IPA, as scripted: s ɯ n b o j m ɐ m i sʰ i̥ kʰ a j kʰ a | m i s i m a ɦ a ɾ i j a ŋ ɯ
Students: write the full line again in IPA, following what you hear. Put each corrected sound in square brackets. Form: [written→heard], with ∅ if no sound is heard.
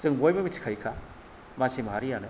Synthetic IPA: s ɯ [n→ŋ] b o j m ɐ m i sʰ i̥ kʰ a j kʰ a | m [i→a] s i m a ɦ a ɾ i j a [ŋ→n] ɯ